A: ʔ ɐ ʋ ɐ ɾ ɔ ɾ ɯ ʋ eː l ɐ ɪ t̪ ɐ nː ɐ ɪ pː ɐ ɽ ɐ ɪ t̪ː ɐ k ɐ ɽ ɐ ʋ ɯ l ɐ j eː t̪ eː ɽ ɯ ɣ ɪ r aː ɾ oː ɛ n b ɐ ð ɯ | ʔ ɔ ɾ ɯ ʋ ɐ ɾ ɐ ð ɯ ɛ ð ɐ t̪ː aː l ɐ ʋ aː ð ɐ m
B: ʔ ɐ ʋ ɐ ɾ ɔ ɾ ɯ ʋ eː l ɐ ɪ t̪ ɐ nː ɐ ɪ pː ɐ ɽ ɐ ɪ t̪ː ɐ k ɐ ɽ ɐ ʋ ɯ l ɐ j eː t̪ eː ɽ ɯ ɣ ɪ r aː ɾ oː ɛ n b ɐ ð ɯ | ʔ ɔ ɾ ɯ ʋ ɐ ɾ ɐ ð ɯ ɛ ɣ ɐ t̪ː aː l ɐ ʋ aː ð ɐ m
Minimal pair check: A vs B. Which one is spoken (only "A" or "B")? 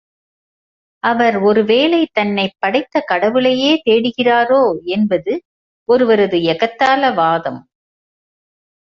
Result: B